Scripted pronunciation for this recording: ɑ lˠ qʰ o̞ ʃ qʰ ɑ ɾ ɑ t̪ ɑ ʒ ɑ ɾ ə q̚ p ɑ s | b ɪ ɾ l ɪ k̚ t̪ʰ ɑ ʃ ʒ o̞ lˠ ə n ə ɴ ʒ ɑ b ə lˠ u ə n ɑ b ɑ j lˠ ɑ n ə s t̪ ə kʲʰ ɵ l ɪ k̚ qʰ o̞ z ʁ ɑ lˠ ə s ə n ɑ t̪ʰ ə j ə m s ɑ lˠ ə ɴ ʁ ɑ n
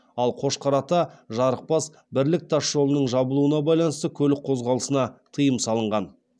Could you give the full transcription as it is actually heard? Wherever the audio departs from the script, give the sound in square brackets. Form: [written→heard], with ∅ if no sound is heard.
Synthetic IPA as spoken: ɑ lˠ qʰ o̞ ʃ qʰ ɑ ɾ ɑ t̪ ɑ ʒ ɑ ɾ ə q̚ p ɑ s | b ɪ ɾ l ɪ k̚ t̪ʰ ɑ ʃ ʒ o̞ lˠ ə n ə ɴ ʒ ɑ b ə lˠ u ə n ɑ b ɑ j lˠ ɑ n ə s t̪ ə kʲʰ ɵ l ɪ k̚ qʰ o̞ z ʁ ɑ lˠ ə s ə n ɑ t̪ʰ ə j ə m s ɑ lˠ ə ɴ ʁ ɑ n